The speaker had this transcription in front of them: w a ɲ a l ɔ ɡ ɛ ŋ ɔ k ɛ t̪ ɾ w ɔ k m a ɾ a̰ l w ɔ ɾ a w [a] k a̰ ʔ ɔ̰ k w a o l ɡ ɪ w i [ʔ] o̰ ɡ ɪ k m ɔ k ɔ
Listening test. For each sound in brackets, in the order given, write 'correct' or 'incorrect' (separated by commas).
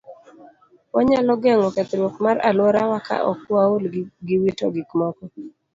correct, incorrect